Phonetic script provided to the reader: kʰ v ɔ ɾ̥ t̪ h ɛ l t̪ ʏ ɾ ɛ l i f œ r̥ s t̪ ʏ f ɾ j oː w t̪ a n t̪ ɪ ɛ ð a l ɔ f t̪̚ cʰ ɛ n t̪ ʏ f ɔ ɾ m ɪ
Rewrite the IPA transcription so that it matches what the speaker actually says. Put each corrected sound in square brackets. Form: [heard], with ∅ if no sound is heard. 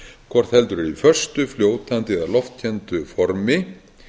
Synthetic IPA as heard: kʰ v ɔ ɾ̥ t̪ h ɛ l t̪ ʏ ɾ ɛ [ɾ] i f œ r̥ s t̪ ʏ f [l] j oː w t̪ a n t̪ ɪ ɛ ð a l ɔ f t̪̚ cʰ ɛ n t̪ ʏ f ɔ ɾ m ɪ